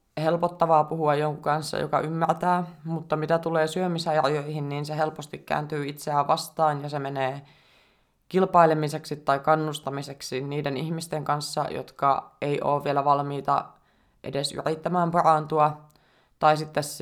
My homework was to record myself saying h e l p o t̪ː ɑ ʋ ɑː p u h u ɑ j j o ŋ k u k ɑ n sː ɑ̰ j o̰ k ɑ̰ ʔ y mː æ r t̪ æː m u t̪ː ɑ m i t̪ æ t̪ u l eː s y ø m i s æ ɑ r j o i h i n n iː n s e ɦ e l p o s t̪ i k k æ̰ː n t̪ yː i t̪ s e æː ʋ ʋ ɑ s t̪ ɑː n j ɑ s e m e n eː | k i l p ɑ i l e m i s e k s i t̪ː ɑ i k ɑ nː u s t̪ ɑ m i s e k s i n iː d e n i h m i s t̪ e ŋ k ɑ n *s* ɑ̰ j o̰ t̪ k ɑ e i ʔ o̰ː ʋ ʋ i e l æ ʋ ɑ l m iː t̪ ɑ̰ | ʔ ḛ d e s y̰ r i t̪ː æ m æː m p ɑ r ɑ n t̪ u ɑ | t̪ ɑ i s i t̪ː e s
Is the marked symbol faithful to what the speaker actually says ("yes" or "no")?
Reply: no